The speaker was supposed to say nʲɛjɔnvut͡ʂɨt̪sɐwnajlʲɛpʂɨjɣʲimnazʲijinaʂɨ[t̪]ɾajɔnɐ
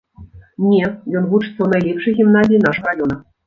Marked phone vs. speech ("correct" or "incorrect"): incorrect